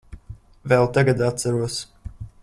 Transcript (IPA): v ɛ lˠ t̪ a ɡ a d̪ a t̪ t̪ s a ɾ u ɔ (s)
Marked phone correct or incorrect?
correct